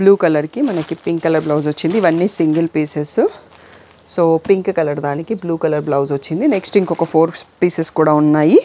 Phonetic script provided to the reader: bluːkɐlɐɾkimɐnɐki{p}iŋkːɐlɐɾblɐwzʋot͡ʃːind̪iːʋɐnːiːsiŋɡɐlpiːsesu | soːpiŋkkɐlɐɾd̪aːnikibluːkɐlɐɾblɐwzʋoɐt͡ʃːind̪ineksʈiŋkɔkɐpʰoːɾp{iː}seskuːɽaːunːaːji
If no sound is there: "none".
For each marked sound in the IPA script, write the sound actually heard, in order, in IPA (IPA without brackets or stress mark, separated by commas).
p, iː